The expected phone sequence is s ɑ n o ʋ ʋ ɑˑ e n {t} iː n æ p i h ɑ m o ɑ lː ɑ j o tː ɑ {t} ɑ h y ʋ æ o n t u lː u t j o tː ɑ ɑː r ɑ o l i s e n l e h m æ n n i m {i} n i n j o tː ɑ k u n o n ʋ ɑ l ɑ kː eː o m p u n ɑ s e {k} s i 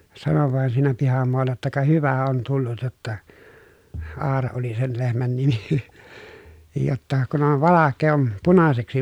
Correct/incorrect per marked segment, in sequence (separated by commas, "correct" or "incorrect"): incorrect, incorrect, correct, correct